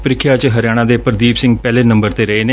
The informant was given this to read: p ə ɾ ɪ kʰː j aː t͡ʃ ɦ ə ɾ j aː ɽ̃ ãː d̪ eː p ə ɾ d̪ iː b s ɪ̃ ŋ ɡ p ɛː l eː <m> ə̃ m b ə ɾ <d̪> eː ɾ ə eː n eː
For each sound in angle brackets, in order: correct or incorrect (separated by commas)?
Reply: incorrect, incorrect